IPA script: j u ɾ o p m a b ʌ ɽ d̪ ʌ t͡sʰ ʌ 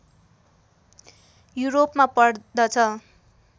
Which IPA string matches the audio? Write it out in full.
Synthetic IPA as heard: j u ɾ o p m a p ʌ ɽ d̪ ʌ t͡sʰ ʌ